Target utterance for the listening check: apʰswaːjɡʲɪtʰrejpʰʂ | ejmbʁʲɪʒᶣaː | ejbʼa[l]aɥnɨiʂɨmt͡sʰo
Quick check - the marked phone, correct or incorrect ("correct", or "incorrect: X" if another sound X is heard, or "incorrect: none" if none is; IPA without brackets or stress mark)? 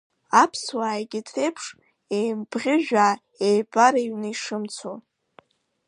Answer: incorrect: ɾ